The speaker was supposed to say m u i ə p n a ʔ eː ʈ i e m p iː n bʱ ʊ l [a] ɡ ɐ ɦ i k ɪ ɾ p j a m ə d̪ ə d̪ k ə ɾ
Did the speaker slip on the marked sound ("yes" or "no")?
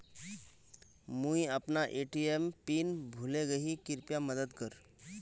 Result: yes